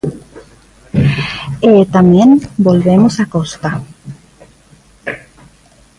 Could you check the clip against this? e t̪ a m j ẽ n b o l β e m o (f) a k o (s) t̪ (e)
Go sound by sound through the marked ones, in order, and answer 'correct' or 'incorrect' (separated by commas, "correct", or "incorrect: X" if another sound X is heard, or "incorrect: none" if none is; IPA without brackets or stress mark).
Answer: incorrect: s, correct, incorrect: a